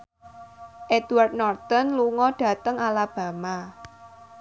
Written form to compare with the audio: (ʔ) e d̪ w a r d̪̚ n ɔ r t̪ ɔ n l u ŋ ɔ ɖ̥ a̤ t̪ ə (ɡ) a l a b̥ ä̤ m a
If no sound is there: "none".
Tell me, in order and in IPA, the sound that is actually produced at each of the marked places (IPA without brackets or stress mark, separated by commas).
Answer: ʔ, ŋ